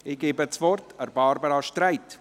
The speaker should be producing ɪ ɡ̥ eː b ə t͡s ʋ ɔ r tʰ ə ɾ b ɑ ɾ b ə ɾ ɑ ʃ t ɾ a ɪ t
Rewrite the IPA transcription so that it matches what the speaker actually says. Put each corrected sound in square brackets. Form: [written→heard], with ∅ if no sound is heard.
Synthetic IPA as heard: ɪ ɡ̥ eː b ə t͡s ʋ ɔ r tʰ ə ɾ b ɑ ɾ b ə ɾ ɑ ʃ t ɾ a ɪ t